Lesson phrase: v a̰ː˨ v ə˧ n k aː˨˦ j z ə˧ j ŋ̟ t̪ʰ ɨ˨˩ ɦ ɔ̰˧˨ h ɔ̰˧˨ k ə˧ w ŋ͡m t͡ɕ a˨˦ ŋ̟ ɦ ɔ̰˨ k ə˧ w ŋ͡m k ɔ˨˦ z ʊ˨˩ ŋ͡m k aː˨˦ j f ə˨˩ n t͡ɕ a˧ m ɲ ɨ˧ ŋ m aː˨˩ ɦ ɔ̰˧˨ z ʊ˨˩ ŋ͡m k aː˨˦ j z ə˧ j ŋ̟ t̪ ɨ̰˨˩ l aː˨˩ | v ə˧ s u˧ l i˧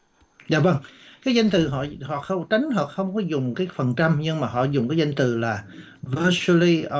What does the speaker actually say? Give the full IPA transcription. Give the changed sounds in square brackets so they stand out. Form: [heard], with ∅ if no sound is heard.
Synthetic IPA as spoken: [z] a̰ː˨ v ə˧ [ŋ] k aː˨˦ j z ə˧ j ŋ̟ [t̪] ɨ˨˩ ɦ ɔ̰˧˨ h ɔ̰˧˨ [x] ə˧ w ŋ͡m t͡ɕ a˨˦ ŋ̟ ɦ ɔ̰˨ [x] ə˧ w ŋ͡m k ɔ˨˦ z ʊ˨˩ ŋ͡m k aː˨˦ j f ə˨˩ n t͡ɕ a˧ m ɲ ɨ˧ ŋ m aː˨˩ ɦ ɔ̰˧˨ z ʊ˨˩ ŋ͡m k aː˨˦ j z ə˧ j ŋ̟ t̪ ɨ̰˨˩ l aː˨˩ | v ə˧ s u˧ l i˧

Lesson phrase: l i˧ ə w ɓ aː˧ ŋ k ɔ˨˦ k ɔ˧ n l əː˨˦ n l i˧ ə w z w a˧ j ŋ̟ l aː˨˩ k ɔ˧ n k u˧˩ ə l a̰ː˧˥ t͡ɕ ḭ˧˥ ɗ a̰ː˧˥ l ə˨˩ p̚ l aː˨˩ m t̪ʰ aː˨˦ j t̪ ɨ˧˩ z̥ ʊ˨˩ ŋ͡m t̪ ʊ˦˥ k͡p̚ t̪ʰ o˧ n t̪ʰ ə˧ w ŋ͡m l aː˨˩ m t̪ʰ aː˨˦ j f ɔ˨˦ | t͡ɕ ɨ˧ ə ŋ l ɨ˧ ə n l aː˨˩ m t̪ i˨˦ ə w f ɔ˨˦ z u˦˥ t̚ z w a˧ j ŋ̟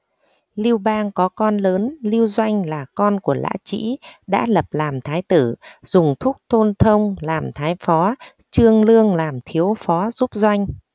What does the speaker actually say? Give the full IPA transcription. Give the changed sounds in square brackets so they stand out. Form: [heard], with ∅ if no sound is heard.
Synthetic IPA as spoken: l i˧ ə w ɓ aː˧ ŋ k ɔ˨˦ k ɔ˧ n l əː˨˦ n l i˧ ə w z w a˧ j ŋ̟ l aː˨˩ k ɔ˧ n k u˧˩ ə l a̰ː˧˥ t͡ɕ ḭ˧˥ ɗ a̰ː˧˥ l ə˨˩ p̚ l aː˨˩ m t̪ʰ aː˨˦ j t̪ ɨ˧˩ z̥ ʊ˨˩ ŋ͡m [t̪ʰ] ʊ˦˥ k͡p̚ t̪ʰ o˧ n t̪ʰ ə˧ w ŋ͡m l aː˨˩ m t̪ʰ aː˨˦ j f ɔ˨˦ | t͡ɕ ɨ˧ ə ŋ l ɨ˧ ə [ŋ] l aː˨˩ m [t̪ʰ] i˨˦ ə w f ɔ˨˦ z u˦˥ [p̚] z w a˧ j ŋ̟

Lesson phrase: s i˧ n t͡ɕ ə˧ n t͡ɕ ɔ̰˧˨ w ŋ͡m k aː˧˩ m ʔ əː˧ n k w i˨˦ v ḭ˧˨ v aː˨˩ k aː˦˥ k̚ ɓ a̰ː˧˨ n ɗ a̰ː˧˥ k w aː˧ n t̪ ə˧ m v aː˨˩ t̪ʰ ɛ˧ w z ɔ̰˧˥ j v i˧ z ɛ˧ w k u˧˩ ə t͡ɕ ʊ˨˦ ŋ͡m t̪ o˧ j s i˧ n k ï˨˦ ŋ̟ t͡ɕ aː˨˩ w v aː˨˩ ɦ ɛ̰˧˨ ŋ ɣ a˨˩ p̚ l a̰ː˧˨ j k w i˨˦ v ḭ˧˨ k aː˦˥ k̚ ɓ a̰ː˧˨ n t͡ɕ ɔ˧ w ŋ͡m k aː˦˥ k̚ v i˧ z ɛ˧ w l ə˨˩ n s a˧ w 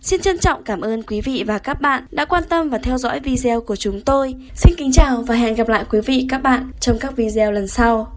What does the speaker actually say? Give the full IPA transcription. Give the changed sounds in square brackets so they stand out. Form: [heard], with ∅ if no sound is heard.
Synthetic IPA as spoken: s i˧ n t͡ɕ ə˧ n t͡ɕ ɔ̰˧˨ w ŋ͡m k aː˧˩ m ʔ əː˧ n k w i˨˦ v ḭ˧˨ v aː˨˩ k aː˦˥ k̚ ɓ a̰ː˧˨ n ɗ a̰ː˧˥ k w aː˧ n t̪ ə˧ m v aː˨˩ t̪ʰ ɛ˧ w z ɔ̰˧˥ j v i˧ z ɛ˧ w k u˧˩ ə t͡ɕ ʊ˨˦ ŋ͡m t̪ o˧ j s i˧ n k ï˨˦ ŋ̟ t͡ɕ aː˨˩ w v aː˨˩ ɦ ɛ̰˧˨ [n] ɣ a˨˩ p̚ l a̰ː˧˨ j k w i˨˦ v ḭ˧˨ k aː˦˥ k̚ ɓ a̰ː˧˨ n t͡ɕ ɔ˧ w ŋ͡m k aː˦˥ k̚ v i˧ z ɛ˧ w l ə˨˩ n s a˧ w

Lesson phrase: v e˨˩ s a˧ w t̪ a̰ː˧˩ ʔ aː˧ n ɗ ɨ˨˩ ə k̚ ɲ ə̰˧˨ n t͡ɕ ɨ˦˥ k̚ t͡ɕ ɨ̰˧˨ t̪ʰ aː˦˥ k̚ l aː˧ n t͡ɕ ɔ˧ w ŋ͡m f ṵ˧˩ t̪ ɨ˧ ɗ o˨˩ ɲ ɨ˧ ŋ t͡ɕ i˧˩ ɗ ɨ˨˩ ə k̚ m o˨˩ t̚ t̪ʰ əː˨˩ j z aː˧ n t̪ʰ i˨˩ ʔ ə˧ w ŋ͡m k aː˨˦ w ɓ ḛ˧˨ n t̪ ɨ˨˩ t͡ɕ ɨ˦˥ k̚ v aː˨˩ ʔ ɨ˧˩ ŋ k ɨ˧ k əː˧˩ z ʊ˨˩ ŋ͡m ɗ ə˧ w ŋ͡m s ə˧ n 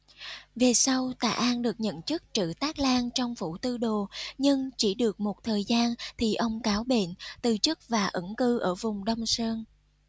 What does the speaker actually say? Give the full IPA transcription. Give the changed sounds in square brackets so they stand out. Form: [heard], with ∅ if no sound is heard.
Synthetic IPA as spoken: v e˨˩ s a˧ w t̪ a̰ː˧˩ ʔ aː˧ n ɗ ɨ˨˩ ə k̚ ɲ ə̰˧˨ n t͡ɕ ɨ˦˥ k̚ t͡ɕ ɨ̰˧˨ [t̪] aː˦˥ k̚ l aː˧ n t͡ɕ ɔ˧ w ŋ͡m f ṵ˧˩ t̪ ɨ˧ ɗ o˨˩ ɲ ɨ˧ ŋ t͡ɕ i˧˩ ɗ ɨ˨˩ ə k̚ m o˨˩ t̚ t̪ʰ əː˨˩ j z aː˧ n t̪ʰ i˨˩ ʔ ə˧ w ŋ͡m k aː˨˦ w ɓ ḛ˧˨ n t̪ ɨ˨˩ t͡ɕ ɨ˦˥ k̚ v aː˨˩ ʔ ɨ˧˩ ŋ k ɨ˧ [ʔ] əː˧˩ [v] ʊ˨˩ ŋ͡m ɗ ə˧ w ŋ͡m s [əː˧] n

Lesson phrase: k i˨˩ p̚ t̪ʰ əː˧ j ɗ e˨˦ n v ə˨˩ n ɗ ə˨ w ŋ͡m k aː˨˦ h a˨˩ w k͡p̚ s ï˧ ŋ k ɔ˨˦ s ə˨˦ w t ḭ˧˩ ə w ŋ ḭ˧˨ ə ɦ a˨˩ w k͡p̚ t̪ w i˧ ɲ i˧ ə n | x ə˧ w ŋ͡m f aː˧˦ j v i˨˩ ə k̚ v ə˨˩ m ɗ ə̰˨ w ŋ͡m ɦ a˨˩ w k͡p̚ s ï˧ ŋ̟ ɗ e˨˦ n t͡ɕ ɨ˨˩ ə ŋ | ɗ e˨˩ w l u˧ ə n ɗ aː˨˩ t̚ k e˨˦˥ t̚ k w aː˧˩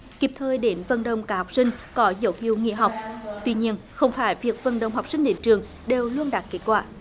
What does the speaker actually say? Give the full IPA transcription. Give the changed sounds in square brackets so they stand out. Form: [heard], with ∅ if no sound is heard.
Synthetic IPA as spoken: k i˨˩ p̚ t̪ʰ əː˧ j ɗ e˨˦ n v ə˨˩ n ɗ ə˨ w ŋ͡m k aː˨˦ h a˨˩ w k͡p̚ s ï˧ ŋ k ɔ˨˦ [z] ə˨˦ w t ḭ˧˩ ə w ŋ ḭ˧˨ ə ɦ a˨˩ w k͡p̚ t̪ w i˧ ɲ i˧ ə n | x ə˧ w ŋ͡m f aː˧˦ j v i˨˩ ə k̚ v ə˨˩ [n] ɗ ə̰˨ w ŋ͡m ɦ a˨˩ w k͡p̚ s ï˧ ŋ̟ ɗ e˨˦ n t͡ɕ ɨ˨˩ ə ŋ | ɗ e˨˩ w l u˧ ə n ɗ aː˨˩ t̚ k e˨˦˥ t̚ k w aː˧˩

